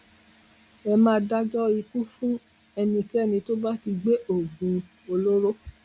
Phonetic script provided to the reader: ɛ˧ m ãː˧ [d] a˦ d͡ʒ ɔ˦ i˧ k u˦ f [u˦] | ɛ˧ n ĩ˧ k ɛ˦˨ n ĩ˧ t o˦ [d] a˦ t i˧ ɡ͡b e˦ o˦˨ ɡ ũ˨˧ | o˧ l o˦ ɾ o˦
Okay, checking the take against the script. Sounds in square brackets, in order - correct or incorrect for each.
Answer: correct, incorrect, incorrect

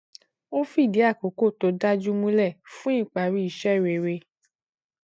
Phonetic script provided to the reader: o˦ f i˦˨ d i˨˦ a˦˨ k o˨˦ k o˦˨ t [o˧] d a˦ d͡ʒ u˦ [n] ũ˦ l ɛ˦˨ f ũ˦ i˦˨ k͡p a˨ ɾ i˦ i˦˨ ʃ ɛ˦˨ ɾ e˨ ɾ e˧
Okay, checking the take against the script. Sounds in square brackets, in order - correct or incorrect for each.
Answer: correct, incorrect

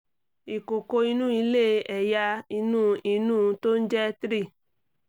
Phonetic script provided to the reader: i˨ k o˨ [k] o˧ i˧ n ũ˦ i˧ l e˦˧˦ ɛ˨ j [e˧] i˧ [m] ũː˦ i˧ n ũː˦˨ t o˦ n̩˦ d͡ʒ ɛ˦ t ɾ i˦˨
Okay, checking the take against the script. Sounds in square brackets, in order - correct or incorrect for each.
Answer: correct, incorrect, incorrect

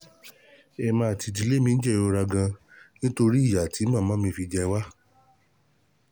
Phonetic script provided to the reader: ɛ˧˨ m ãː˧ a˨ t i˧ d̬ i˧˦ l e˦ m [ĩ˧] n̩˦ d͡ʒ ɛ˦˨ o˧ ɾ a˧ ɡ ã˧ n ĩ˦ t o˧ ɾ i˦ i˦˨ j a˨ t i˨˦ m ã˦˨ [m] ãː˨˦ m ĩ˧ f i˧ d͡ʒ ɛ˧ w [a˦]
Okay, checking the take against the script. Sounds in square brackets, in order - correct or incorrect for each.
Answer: correct, correct, correct

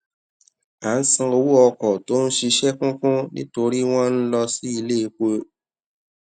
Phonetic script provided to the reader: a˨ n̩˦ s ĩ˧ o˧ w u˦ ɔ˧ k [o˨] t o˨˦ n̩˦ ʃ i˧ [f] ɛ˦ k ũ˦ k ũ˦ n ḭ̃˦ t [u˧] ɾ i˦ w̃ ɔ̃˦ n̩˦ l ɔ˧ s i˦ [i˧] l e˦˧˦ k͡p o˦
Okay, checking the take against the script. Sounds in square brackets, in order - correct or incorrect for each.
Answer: incorrect, incorrect, incorrect, correct

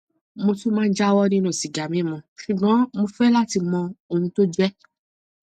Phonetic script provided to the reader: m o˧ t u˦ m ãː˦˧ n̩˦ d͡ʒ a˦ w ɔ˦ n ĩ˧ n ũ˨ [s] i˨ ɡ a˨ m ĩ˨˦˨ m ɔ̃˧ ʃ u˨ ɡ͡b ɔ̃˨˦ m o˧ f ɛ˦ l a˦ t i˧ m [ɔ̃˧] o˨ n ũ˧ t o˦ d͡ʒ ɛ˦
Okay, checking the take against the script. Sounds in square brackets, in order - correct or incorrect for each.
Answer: correct, correct

